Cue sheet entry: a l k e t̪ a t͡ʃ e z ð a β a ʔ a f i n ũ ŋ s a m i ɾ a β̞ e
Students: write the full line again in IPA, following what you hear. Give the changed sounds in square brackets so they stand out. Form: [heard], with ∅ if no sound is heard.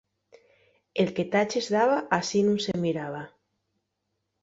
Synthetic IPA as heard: [e] l k e t̪ a t͡ʃ e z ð a β a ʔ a [s] i n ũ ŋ s [e] m i ɾ a β̞ [a]